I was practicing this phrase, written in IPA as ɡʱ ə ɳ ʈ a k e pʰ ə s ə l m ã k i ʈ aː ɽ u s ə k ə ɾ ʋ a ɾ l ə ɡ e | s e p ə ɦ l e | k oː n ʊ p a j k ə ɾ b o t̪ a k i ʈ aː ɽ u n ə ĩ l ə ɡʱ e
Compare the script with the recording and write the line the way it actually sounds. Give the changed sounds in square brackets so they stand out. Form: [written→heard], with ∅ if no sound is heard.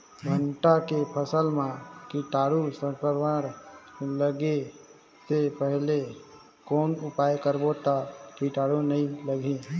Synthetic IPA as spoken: ɡʱ ə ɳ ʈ a k e pʰ ə s ə l m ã k i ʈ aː ɽ u s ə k ə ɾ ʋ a ɾ l ə ɡ e | s e p ə ɦ l e | k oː n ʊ p a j k ə ɾ b o t̪ a k i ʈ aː ɽ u n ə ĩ l ə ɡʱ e